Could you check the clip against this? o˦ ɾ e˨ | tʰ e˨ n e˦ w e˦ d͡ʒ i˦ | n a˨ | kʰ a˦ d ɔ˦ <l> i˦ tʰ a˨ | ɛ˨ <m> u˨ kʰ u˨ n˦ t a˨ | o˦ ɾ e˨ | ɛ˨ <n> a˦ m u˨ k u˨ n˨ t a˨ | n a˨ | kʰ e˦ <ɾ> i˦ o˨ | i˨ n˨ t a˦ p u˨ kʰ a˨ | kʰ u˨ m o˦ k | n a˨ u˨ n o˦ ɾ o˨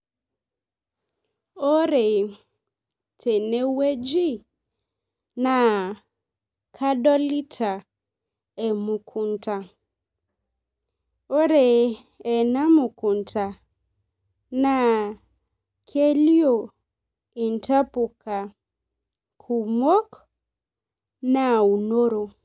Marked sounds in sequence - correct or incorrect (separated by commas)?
correct, correct, correct, incorrect